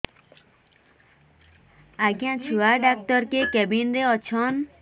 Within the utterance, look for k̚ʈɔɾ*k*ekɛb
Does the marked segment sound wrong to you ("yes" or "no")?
no